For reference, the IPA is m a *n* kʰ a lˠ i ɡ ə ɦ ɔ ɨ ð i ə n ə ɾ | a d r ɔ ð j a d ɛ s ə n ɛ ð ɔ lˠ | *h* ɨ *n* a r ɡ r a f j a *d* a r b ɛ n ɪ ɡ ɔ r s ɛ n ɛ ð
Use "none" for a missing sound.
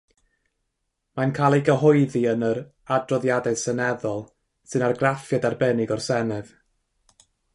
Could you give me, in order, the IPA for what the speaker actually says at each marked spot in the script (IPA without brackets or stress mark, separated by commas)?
n, s, n, d